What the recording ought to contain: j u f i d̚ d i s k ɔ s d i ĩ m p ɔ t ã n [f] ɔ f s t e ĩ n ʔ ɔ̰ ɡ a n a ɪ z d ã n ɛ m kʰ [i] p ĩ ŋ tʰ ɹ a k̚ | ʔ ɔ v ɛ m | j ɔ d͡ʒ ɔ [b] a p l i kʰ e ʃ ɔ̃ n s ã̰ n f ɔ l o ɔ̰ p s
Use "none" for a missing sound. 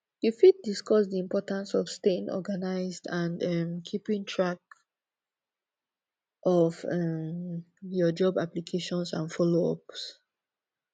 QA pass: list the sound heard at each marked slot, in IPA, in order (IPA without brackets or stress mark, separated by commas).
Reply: s, i, b